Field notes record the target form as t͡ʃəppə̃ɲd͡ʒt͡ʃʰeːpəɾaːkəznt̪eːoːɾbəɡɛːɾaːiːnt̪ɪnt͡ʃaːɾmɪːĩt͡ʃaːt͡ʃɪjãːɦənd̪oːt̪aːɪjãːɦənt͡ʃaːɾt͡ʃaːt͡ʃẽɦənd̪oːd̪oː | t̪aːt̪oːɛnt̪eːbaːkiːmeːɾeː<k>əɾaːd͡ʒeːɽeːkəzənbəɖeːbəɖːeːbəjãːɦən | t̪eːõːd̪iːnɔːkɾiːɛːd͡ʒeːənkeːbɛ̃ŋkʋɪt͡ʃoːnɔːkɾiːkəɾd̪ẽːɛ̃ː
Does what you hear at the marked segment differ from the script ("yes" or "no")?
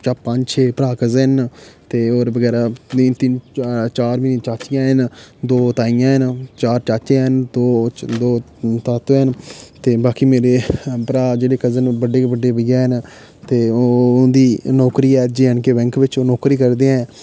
yes